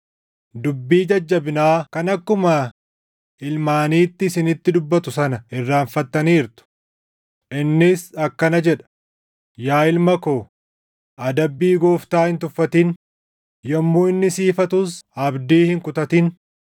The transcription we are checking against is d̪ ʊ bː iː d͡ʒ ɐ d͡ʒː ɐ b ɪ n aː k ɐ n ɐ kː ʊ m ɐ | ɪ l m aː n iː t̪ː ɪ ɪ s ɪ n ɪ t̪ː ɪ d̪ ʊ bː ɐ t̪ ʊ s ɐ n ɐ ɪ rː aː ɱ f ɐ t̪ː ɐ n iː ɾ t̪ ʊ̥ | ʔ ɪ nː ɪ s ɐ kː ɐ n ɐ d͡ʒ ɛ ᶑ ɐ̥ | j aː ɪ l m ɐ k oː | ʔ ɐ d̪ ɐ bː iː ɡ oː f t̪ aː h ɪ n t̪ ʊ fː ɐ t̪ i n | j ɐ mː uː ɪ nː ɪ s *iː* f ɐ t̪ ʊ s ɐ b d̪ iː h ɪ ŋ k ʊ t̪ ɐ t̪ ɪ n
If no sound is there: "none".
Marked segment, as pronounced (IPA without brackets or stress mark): iː